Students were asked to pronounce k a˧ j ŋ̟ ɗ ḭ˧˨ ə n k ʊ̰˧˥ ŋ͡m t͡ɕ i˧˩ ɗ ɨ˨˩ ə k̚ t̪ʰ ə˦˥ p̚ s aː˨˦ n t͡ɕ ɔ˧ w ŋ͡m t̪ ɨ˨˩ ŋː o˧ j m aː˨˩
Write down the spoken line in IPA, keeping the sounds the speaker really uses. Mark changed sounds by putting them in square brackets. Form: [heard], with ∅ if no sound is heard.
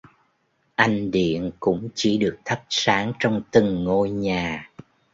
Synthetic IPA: [ʔ] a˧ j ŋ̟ ɗ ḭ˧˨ ə n k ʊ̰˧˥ ŋ͡m t͡ɕ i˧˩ ɗ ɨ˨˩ ə k̚ t̪ʰ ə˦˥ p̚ s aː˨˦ [ŋ] t͡ɕ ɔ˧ w ŋ͡m t̪ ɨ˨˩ ŋː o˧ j [ɲ] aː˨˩

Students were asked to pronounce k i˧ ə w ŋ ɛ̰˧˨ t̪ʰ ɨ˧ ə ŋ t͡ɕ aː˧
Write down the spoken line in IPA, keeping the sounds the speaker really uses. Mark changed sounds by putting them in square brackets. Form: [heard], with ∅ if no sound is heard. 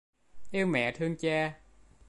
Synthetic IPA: [ʔ] i˧ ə w [m] ɛ̰˧˨ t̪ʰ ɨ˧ ə ŋ t͡ɕ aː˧

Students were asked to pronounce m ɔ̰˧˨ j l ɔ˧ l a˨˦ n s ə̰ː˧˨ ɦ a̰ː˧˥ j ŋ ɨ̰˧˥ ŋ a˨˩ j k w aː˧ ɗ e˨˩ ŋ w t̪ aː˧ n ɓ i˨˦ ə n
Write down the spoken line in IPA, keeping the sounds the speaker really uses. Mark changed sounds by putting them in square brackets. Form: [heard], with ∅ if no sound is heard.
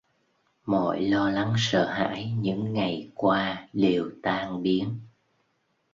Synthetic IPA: m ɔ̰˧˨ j l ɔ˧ l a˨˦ [ŋ] s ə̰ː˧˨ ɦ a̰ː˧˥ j [ɲ] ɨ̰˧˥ [ŋː] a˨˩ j k w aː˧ ɗ e˨˩ [∅] w t̪ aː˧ [ŋ] ɓ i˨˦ ə n

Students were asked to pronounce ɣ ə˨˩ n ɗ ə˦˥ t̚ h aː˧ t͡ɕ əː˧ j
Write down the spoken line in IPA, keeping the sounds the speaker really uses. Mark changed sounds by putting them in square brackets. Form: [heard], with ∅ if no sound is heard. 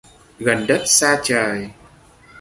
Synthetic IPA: ɣ ə˨˩ n ɗ ə˦˥ t̚ [s] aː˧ t͡ɕ [əː˨˩] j

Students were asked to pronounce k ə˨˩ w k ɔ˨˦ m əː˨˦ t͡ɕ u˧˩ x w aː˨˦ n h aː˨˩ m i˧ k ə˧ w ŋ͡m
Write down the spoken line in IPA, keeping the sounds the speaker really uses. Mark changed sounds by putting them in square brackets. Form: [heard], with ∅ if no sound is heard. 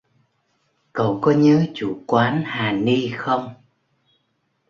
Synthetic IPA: k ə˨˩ w k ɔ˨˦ [ɲ] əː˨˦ t͡ɕ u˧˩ [k] w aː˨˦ n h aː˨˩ [n] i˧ [x] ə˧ w ŋ͡m

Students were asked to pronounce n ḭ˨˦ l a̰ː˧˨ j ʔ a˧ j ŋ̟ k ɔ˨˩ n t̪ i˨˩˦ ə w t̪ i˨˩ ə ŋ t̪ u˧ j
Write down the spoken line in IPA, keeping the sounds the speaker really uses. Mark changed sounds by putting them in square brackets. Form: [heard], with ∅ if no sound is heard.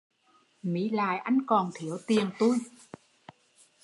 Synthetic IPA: [m] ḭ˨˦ l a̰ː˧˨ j ʔ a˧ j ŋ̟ k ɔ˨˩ n [t̪ʰ] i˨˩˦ ə w t̪ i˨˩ ə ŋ t̪ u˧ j

